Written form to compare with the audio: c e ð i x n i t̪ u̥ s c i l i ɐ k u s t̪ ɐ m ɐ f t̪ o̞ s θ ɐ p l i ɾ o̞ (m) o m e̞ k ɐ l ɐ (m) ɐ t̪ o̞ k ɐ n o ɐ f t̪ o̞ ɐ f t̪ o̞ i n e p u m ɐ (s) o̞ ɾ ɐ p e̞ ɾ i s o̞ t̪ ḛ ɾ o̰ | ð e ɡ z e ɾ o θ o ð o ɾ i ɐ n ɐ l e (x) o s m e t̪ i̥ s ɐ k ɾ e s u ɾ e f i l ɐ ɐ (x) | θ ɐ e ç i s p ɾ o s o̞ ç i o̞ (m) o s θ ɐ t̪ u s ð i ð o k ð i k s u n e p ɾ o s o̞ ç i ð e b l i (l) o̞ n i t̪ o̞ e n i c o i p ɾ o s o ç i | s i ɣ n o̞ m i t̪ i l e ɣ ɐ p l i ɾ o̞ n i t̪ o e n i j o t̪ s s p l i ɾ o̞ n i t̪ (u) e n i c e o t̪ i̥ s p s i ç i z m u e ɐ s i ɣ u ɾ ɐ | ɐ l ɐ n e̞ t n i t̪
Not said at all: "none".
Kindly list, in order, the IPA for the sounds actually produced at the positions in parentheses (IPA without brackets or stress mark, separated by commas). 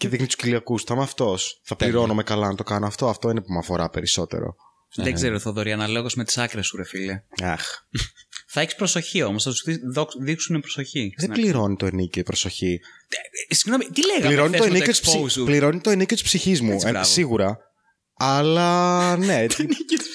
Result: n, n, f, ɣ, x, m, ɾ, o